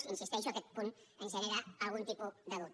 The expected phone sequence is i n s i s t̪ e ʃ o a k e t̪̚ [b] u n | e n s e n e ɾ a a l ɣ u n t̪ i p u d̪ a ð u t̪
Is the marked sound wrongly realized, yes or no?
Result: yes